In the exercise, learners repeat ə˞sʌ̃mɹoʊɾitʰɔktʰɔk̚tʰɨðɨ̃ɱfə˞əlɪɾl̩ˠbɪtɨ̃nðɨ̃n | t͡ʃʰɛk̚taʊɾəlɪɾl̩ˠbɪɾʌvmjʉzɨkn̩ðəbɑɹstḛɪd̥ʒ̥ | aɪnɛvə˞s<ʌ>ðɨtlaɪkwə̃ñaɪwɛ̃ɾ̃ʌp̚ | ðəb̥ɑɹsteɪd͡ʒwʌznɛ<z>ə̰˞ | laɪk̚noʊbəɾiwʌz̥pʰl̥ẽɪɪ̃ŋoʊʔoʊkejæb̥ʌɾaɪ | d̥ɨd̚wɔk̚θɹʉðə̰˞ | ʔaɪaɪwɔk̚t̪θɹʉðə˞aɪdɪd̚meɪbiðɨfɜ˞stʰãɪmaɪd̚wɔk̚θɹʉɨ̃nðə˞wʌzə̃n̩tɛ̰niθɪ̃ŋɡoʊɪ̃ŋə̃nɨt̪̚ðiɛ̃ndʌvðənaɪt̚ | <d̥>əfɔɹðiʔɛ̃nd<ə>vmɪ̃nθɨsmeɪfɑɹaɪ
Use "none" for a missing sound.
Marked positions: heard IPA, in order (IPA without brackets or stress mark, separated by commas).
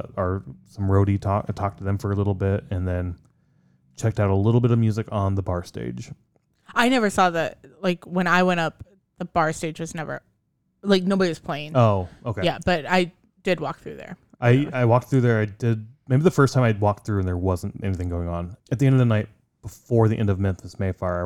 ɔ, v, b̥, ʌ